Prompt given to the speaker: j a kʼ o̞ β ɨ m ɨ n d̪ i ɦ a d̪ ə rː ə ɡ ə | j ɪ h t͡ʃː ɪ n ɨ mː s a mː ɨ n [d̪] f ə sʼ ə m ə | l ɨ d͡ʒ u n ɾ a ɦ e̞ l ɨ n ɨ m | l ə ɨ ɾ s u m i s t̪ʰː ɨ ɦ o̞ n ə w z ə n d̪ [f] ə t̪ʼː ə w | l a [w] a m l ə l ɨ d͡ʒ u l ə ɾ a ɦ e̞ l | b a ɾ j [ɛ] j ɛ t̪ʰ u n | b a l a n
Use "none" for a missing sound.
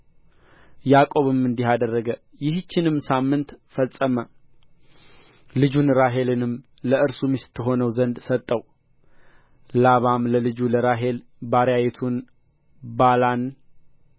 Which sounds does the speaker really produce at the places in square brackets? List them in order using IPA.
t̪, s, β, a

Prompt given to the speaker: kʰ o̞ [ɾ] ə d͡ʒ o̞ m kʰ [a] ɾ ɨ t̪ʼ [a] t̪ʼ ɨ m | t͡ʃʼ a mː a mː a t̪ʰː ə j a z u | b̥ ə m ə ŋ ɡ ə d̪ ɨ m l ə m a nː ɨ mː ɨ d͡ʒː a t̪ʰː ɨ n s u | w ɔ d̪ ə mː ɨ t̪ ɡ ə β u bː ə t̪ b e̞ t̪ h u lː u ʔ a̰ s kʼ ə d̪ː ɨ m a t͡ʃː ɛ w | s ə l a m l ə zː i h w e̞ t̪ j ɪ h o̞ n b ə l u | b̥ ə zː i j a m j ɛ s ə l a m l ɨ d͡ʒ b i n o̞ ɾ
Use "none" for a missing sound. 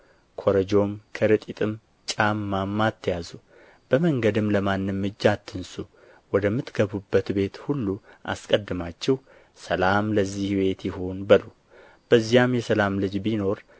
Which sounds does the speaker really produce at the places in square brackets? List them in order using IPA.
ɾ, ə, i

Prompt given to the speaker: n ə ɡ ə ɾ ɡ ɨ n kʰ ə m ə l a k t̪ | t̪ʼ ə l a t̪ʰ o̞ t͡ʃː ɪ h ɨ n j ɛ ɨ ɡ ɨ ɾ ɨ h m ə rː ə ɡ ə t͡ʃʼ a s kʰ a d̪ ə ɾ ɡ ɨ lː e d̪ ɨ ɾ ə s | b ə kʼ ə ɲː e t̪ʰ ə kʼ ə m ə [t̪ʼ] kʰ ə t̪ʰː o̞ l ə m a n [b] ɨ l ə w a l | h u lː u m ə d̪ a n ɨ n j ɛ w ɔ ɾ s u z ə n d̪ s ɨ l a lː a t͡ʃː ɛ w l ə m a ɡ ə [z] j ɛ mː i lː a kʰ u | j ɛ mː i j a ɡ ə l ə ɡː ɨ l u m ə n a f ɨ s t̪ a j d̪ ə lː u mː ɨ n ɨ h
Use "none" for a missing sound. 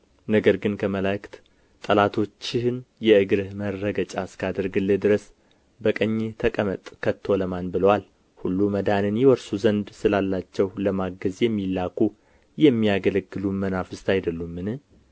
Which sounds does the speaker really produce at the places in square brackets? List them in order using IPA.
t̪ʼ, b, z

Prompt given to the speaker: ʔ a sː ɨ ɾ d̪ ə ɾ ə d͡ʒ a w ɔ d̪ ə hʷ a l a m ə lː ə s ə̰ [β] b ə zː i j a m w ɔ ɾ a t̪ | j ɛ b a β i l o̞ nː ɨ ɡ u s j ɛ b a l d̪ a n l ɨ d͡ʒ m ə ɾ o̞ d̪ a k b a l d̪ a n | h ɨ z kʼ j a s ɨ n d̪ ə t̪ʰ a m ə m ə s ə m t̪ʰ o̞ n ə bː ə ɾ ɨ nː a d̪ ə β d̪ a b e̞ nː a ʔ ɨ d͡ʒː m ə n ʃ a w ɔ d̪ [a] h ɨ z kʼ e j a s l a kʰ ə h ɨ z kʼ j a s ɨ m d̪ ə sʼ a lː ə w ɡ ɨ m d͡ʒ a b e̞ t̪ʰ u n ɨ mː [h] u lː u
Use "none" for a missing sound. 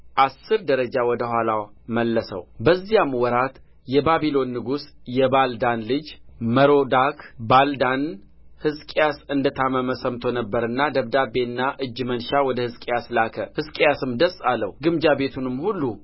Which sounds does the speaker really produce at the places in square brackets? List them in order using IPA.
w, ə, h

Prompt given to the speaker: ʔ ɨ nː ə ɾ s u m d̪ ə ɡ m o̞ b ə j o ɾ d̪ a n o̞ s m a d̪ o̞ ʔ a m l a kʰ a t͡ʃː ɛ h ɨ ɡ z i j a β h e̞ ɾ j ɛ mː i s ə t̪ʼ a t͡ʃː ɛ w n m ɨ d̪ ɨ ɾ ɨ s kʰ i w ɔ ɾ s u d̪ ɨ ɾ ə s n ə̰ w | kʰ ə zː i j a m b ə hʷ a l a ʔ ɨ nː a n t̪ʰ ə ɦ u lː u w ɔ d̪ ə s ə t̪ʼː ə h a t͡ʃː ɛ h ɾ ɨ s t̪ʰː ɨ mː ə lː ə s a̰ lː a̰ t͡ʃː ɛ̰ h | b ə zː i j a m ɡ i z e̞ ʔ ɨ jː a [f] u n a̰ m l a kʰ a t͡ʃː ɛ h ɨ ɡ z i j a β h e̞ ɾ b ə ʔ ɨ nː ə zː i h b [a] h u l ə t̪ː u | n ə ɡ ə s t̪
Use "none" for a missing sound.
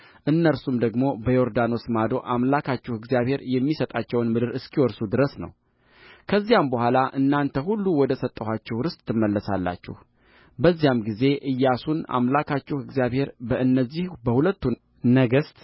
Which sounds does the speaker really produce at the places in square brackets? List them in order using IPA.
s, ə

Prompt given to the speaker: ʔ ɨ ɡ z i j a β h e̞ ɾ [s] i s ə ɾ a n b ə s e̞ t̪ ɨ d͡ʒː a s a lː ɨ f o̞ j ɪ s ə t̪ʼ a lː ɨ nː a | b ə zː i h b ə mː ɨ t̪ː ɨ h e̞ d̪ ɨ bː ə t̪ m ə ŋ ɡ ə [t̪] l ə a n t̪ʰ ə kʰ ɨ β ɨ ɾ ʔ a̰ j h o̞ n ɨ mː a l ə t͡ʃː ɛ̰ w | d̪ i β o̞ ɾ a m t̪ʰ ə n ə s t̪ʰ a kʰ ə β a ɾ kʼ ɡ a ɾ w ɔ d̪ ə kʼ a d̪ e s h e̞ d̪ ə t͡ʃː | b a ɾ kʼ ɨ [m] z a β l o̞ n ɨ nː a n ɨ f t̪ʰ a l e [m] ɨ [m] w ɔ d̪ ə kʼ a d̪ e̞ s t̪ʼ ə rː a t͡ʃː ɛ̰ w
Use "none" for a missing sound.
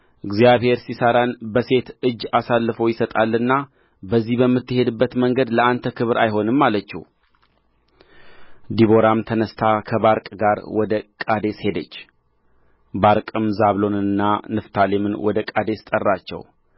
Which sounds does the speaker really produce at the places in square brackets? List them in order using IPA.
s, d̪, m, m, n

